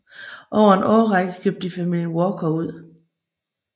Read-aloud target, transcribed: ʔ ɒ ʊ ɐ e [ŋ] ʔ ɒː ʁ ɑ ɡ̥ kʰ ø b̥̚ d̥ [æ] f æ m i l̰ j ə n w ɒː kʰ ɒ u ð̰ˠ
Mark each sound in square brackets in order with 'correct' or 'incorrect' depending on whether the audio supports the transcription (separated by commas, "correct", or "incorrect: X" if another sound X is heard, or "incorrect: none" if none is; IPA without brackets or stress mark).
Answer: incorrect: n, incorrect: i